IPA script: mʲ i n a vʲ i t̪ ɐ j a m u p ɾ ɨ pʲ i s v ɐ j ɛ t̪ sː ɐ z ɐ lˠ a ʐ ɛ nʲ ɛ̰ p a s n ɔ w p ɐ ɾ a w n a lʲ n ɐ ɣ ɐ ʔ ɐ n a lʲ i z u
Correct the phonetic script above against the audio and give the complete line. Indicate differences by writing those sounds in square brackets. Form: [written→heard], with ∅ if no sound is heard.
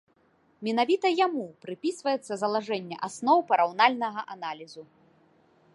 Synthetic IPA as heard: mʲ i n a vʲ i t̪ ɐ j a m u p ɾ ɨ pʲ i s v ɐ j ɛ t̪ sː ɐ z ɐ lˠ a ʐ ɛ [nʲ→nʲː] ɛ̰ [p→ʔ] a s n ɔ w p ɐ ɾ a w n a lʲ n ɐ ɣ ɐ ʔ [ɐ→a] n a lʲ i z u